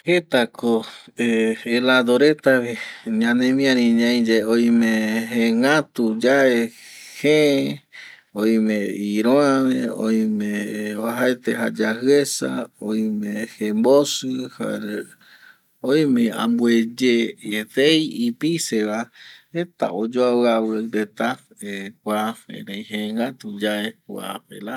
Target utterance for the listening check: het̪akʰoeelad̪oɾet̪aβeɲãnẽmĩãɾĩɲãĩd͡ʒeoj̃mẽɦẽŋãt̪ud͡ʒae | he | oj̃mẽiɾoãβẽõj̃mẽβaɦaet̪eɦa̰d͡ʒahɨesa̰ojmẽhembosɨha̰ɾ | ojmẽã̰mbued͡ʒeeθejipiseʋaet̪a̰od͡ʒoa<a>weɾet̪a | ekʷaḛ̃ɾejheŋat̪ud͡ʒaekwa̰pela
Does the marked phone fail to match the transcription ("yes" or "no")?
no